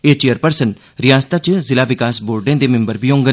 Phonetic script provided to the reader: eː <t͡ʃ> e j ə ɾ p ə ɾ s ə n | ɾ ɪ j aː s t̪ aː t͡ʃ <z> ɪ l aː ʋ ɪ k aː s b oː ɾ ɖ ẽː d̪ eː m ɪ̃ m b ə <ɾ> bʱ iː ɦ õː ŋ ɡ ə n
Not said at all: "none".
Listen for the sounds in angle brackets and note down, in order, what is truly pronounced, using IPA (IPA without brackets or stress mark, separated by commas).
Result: t͡ʃ, z, ɾ